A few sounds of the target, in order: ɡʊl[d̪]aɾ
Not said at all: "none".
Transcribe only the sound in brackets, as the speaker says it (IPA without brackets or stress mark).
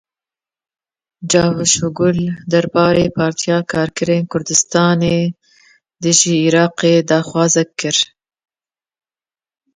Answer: d̪